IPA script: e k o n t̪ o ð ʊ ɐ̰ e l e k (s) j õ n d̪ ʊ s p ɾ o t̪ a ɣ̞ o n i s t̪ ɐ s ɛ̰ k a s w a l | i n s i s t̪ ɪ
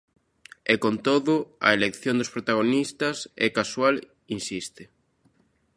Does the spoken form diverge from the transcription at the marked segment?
yes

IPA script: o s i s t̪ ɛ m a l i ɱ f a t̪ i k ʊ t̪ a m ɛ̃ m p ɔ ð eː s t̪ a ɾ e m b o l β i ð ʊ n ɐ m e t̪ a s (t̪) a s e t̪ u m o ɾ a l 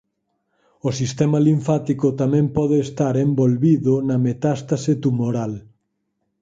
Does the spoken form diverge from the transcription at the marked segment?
no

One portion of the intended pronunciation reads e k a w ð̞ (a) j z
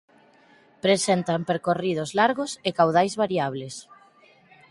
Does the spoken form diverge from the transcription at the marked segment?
no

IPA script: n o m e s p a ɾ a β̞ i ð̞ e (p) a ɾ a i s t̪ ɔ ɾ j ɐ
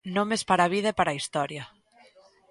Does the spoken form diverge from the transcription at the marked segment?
no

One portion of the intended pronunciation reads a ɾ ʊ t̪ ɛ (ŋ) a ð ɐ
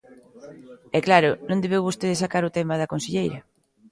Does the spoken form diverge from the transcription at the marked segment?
yes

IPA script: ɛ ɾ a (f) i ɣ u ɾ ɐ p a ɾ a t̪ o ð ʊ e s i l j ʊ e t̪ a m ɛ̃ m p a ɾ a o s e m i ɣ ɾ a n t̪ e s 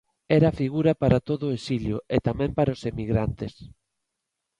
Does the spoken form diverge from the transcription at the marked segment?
no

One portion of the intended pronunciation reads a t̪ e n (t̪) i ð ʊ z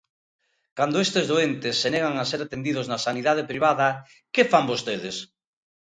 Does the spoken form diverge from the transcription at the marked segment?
yes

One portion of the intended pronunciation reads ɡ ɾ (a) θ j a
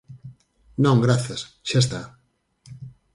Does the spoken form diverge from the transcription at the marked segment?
no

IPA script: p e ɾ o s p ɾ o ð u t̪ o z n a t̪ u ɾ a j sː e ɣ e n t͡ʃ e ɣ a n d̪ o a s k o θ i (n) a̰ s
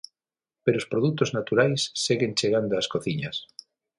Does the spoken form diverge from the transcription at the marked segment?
yes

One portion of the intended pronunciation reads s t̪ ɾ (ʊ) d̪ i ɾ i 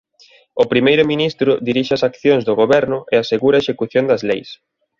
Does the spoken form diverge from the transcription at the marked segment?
no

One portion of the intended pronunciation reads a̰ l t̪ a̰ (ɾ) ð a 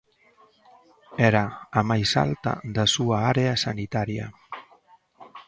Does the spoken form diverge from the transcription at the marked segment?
yes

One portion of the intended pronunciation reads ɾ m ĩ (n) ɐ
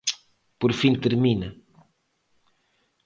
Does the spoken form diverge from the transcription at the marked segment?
no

